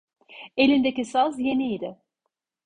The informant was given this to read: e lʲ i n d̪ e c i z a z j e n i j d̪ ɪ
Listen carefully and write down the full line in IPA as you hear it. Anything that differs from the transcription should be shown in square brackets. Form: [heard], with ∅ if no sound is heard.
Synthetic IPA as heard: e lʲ i n d̪ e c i [s] a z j e n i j d̪ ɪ